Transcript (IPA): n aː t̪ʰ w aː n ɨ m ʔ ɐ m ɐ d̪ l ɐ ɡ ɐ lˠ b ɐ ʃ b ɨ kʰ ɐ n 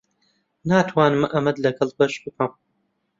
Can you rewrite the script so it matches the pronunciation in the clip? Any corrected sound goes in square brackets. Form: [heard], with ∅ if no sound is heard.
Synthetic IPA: n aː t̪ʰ w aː n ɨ m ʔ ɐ m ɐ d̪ l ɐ ɡ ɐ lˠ b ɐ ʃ b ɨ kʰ ɐ [m]